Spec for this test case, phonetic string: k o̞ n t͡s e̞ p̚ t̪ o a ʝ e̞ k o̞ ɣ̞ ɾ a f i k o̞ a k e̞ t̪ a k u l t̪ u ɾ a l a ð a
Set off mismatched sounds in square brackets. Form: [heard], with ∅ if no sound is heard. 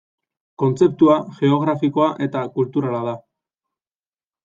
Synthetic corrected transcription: k o̞ n t͡s e̞ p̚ t̪ [u] a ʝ e̞ [∅] o̞ ɣ̞ ɾ a f i k o̞ a [ʔ] e̞ t̪ a k u l t̪ u ɾ a l a ð a